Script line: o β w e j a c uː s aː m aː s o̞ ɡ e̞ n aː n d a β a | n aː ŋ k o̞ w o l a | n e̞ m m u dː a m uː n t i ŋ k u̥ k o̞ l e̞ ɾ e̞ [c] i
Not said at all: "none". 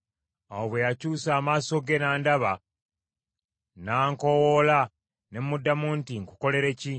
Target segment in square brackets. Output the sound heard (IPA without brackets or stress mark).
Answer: c